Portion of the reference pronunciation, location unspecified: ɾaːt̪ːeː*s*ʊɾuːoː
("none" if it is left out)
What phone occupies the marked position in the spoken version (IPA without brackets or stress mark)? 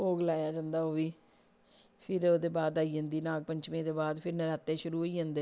ʃ